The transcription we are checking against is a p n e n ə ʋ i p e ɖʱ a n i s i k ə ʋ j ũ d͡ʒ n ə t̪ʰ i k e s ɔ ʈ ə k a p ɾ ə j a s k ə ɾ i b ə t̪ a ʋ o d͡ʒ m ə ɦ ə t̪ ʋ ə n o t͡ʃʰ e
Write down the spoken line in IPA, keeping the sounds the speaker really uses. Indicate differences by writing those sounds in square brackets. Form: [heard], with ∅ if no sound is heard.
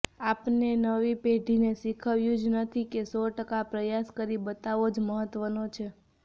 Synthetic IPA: a p n e n ə ʋ i p e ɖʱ [i] n [e] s i [kʰ] ə ʋ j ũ d͡ʒ n ə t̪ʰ i k e s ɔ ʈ ə k a p ɾ ə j a s k ə ɾ i b ə t̪ a ʋ o d͡ʒ m ə ɦ ə t̪ ʋ ə n o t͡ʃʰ e